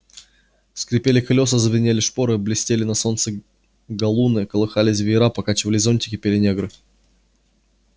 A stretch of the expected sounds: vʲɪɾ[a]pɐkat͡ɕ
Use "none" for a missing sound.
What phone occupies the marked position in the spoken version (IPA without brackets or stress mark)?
a